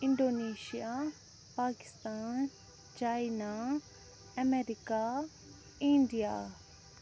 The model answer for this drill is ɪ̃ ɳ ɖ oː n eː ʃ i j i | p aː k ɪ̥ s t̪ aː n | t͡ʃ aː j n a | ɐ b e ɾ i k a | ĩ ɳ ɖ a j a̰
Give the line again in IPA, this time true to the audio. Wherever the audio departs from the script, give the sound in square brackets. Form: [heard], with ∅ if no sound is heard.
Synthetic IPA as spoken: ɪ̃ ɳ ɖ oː n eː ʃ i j [a] | p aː k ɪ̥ s t̪ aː n | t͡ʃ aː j n a | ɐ [m] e ɾ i k a | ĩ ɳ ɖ [i] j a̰